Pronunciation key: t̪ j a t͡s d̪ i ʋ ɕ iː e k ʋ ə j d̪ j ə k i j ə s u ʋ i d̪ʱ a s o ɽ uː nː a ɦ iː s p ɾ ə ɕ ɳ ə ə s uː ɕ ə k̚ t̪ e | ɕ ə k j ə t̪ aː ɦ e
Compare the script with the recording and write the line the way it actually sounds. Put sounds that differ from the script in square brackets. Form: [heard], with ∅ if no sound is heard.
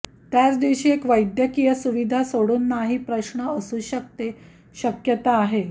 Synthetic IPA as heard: t̪ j a t͡s d̪ i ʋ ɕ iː e k ʋ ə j d̪ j ə k i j ə s u ʋ i d̪ʱ a s o ɽ uː nː a ɦ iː [∅] p ɾ ə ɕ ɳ ə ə s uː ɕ ə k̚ t̪ e | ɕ ə k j ə t̪ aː ɦ e